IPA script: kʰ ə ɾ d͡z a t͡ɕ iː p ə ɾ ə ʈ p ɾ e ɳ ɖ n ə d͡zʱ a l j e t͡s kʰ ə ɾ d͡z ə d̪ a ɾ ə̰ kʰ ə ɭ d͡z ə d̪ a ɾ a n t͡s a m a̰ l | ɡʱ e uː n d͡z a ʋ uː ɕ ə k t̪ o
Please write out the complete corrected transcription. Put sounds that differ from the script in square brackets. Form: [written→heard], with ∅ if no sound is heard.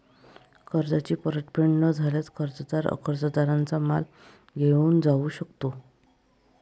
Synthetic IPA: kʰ ə ɾ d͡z a t͡ɕ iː p ə ɾ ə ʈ p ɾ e ɳ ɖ n ə d͡zʱ a l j [e→a] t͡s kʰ ə ɾ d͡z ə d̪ a ɾ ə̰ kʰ ə [ɭ→ɾ] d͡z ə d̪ a ɾ a n t͡s a m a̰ l | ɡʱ e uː n d͡z a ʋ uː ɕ ə k t̪ o